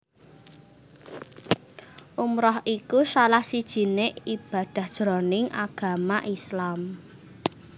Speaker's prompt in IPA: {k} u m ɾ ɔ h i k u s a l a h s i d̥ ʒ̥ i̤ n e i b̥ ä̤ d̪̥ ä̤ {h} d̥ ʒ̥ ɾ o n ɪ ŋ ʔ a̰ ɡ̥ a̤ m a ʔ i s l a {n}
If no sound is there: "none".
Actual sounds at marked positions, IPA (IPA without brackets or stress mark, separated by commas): ʔ, h, m